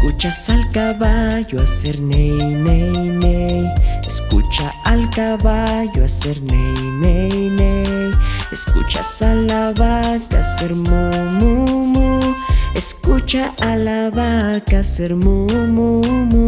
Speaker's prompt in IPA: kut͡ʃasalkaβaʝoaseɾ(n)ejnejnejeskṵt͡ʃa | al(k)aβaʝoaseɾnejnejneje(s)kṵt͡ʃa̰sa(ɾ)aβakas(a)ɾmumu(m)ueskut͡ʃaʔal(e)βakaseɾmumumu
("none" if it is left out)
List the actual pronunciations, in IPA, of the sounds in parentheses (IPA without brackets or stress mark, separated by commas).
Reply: n, k, s, l, e, m, a